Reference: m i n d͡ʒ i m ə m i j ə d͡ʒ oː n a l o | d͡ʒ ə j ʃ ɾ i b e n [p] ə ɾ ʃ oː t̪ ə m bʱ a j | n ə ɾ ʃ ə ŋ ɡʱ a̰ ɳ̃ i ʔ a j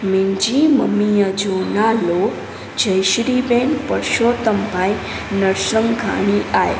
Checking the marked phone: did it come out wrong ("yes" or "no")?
no